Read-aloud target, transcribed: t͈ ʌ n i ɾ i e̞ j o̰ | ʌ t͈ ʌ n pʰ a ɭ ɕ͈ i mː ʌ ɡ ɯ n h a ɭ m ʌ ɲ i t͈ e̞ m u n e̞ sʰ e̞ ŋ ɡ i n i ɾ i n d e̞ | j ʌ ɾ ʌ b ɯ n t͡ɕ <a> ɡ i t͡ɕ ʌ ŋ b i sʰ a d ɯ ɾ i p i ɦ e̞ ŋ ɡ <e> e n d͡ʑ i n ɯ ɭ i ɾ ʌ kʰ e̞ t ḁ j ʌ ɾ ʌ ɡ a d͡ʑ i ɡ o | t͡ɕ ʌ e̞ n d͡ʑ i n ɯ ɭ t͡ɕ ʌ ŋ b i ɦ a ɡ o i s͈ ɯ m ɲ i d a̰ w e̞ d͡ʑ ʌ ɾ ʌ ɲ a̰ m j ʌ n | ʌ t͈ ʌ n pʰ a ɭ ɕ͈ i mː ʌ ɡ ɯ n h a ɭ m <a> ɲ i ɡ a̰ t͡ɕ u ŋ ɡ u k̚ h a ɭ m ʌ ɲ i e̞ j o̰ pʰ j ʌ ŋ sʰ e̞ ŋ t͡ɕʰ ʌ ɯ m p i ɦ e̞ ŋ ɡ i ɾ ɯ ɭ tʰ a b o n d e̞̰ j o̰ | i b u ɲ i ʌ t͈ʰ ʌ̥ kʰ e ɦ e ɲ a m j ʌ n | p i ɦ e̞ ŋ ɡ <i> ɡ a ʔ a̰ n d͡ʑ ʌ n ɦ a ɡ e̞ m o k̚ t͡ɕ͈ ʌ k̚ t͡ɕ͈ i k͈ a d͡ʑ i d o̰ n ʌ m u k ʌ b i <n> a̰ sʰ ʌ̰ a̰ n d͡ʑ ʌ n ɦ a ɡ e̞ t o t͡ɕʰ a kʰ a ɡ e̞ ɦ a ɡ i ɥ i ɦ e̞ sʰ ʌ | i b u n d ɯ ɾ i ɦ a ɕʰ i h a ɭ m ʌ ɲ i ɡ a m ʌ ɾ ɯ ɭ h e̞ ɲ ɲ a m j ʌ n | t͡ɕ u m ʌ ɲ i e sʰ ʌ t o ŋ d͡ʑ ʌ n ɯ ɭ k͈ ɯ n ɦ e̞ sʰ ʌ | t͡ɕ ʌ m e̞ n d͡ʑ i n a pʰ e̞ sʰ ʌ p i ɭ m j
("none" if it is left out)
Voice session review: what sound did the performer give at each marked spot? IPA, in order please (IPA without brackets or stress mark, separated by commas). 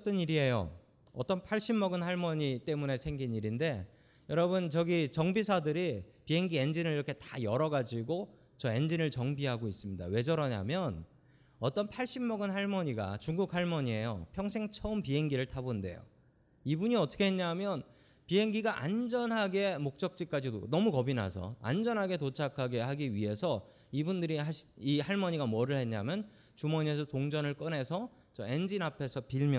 ʌ, i, ʌ, i, n